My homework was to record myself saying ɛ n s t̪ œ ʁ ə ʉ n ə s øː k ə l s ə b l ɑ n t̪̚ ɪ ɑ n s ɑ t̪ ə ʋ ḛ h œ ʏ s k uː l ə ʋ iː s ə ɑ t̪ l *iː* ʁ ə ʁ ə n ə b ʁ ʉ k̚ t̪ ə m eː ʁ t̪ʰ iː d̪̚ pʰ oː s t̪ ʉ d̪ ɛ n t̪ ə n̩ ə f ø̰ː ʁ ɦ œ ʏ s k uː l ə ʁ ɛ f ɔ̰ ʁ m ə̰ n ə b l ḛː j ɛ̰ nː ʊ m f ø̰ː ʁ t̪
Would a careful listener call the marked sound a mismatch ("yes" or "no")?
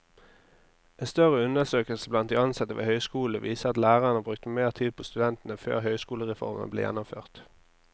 yes